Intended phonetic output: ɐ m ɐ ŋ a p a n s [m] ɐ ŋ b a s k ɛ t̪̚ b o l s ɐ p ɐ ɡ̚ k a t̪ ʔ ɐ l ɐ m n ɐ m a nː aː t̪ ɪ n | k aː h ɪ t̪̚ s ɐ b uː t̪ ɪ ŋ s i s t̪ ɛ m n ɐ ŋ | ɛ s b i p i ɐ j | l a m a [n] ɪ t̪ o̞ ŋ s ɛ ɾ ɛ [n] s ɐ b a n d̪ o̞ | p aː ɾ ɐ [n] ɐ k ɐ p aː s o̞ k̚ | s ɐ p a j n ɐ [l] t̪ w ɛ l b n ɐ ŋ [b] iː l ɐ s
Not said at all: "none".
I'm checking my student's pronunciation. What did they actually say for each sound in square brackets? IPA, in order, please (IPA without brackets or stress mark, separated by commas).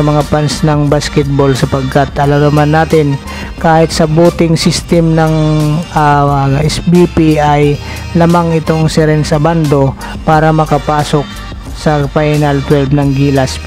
n, ŋ, n, m, l, ɡ